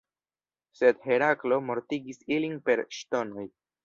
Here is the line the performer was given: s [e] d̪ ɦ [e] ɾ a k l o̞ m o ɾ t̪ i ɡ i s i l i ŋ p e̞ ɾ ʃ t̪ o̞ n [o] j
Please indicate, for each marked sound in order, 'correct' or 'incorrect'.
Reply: correct, correct, correct

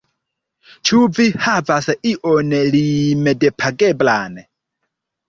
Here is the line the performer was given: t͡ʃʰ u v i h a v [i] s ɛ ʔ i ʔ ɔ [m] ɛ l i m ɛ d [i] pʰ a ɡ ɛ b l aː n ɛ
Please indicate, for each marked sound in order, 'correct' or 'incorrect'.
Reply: incorrect, incorrect, incorrect

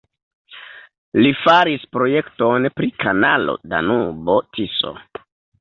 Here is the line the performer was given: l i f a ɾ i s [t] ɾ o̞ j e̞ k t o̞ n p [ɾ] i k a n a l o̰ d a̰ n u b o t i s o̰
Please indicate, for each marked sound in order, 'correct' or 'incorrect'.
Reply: incorrect, correct

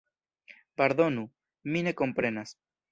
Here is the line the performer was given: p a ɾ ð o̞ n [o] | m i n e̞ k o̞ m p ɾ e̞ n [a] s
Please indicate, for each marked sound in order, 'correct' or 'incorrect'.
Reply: incorrect, correct

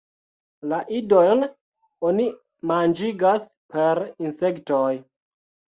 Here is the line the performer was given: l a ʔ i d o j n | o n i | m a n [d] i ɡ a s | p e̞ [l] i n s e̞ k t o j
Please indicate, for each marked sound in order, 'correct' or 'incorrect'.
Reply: incorrect, incorrect

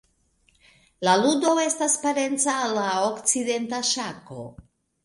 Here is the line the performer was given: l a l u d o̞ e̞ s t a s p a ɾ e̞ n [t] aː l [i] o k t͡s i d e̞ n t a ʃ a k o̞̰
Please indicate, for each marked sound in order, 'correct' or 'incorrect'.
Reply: incorrect, incorrect

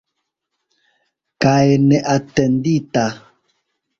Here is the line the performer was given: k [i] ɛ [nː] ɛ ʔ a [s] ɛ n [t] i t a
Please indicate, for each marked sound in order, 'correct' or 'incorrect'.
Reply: incorrect, incorrect, incorrect, incorrect

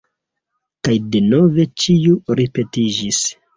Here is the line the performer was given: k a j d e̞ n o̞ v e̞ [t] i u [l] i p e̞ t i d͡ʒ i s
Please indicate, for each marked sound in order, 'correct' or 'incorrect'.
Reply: incorrect, incorrect

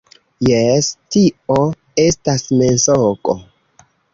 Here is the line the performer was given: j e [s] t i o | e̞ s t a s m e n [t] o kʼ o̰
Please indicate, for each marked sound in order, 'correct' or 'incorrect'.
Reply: correct, incorrect

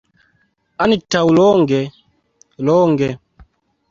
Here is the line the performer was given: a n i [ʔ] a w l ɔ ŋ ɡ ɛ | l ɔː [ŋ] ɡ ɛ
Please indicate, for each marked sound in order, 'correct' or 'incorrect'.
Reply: incorrect, correct

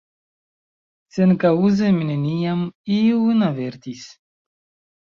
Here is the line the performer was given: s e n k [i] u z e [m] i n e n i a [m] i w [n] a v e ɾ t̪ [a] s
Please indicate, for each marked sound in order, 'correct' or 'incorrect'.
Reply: incorrect, correct, correct, correct, incorrect

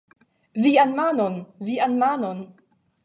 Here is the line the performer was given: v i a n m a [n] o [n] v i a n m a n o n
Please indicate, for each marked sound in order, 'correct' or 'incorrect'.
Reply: correct, correct

